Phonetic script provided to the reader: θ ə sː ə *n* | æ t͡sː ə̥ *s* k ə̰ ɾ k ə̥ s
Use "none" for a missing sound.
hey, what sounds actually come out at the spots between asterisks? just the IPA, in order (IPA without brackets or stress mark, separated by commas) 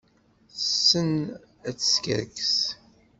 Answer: n, s